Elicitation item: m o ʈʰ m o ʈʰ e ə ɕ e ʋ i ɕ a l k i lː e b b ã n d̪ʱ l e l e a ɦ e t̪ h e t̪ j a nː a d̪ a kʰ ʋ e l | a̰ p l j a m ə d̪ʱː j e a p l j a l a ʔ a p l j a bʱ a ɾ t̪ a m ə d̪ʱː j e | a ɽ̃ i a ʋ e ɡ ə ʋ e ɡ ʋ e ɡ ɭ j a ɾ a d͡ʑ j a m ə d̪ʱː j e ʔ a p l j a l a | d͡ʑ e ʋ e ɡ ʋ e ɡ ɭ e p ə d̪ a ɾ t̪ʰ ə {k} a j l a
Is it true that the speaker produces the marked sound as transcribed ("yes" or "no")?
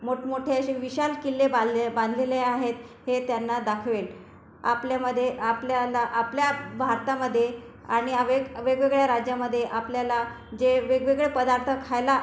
no